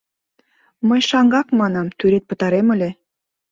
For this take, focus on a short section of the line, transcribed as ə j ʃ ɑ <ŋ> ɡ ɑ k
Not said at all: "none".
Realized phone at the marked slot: ŋ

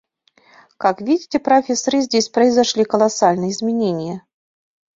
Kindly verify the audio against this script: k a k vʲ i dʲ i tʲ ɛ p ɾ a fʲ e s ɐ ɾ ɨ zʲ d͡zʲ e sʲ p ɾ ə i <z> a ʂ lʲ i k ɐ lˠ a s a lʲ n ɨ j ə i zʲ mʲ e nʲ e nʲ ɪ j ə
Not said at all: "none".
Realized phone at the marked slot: z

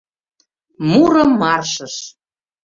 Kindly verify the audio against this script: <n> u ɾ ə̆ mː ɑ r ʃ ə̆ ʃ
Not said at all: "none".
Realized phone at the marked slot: m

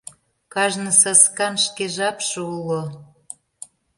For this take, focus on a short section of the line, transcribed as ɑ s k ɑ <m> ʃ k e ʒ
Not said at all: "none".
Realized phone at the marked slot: n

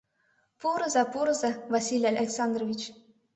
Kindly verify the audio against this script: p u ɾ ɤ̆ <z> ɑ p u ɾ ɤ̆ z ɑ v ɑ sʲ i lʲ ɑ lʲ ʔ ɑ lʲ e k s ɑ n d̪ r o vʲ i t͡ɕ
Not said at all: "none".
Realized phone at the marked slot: z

